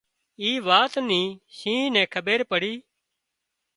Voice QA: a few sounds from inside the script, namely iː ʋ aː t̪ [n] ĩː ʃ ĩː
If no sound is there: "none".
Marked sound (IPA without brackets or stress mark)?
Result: n